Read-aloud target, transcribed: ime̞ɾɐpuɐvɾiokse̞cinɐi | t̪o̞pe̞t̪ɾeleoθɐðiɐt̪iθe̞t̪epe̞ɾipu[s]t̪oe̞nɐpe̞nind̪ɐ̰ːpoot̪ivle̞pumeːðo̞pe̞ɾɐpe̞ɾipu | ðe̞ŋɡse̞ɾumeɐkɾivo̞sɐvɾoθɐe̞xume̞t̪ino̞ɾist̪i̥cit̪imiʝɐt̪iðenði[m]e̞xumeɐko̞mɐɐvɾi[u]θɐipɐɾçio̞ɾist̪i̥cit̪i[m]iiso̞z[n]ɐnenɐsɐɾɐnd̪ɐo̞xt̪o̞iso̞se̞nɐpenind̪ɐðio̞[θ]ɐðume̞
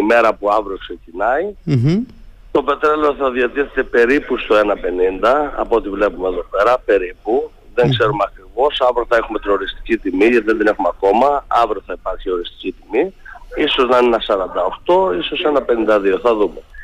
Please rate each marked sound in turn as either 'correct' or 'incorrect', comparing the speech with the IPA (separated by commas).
correct, incorrect, incorrect, correct, correct, correct